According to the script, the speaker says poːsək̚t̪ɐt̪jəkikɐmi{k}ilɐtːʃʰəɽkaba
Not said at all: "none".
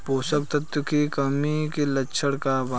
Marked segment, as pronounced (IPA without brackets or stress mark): k